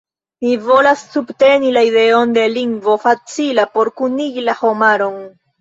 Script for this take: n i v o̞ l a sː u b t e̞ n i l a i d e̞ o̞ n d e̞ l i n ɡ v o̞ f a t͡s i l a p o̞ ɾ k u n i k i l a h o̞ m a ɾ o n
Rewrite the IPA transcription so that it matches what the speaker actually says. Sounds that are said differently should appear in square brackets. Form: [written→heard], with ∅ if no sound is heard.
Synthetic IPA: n i v o̞ l a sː u b t e̞ n i l a i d e̞ o̞ n d e̞ l i [n→ŋ] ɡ v o̞ f a t͡s i l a p o̞ ɾ k u n i [k→ɡ] i l a h o̞ m a ɾ o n